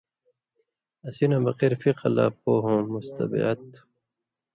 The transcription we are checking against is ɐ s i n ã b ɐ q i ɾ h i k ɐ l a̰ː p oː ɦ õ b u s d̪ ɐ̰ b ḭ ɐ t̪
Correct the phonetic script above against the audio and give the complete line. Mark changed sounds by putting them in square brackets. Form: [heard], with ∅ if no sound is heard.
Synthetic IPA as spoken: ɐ s i n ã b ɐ q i ɾ [f] i [q] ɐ l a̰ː p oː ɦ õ [m] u s [t̪] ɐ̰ b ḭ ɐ t̪